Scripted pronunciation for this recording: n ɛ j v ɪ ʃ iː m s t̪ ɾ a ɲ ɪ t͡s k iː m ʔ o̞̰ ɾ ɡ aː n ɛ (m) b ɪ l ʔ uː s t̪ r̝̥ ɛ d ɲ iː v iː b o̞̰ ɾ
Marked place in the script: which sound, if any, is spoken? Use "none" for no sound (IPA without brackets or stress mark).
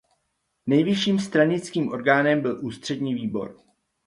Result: m